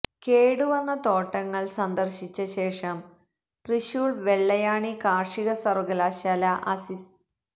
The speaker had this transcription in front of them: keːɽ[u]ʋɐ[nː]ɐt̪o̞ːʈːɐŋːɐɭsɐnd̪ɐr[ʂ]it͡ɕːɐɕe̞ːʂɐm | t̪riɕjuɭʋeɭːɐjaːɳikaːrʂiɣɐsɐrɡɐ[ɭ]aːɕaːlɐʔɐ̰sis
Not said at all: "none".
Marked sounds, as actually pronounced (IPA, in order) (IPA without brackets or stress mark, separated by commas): u, nː, ɕ, l